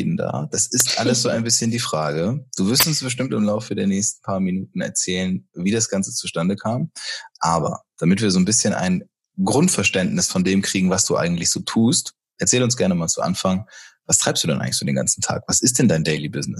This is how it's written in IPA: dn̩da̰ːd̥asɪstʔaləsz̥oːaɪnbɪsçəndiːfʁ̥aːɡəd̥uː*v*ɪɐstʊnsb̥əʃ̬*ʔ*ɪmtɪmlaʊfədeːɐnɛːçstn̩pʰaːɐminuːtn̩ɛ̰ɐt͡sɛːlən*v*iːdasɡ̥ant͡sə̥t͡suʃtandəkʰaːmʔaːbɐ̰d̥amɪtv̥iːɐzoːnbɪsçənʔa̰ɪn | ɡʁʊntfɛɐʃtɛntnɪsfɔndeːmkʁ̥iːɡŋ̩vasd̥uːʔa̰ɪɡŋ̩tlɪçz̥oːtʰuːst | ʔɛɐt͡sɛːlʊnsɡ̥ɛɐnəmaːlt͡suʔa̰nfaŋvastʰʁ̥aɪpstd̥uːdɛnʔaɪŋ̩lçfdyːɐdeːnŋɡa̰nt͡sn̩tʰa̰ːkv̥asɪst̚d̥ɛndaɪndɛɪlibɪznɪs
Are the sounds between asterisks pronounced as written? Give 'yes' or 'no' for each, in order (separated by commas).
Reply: yes, no, yes